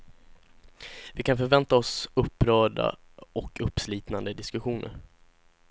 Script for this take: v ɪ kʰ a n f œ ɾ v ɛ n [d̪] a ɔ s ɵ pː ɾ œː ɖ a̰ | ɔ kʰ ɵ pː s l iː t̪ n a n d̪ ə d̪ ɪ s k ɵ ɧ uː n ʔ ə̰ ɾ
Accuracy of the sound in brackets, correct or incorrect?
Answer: incorrect